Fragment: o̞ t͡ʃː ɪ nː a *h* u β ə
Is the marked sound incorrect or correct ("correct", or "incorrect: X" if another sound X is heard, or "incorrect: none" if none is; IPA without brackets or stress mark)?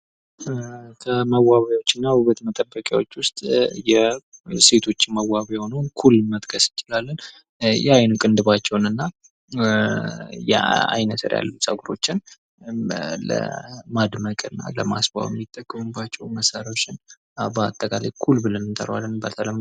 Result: correct